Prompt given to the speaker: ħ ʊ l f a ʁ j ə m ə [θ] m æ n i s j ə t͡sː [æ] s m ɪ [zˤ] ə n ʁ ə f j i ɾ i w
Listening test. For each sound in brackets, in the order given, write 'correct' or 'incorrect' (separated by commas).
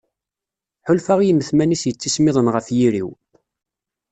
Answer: correct, incorrect, incorrect